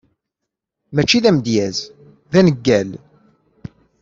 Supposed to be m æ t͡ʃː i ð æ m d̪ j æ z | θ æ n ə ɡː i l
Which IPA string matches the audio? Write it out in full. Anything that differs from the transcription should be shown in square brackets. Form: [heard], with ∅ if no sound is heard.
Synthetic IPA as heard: m æ t͡ʃː i ð æ m d̪ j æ z | [ð] æ n ə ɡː [æ] l